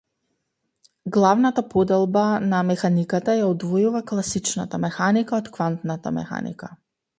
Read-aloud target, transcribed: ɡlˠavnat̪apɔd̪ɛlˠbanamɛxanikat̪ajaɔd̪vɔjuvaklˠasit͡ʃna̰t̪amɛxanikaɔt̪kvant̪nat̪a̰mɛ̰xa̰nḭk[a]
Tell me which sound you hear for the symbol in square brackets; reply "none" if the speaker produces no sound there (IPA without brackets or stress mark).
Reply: a